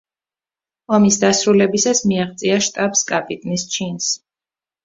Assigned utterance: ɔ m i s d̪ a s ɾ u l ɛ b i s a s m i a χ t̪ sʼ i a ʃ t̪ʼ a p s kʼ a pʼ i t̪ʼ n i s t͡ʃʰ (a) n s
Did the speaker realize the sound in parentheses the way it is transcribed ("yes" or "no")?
no